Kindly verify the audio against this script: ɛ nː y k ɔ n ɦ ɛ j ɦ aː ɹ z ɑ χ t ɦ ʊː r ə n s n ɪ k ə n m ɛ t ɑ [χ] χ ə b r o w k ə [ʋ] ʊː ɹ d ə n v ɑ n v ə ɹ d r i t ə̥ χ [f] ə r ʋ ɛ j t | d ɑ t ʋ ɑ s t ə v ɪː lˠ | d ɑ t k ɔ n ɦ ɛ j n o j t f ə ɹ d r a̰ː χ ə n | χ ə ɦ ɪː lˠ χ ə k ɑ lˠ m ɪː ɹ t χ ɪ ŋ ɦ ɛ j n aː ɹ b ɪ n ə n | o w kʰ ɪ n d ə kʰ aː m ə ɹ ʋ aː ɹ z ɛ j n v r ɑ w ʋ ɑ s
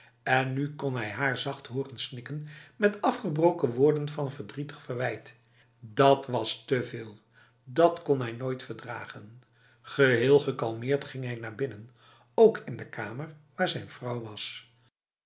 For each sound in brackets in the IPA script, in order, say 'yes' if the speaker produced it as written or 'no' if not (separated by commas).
no, yes, yes